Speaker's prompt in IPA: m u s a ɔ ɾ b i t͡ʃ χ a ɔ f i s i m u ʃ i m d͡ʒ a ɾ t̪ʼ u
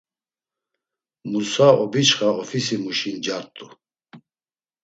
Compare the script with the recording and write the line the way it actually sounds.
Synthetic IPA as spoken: m u s a ɔ b i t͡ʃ χ a ɔ f i s i m u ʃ i n d͡ʒ a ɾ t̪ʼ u